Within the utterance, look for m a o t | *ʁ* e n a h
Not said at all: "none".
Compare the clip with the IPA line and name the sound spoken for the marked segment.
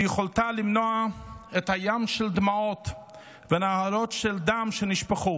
v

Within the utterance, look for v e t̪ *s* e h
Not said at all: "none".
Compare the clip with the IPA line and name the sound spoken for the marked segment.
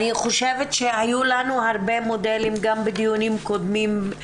ʃ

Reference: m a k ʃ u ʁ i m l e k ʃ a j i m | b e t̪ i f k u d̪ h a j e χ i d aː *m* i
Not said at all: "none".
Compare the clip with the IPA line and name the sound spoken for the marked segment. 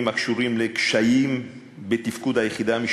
m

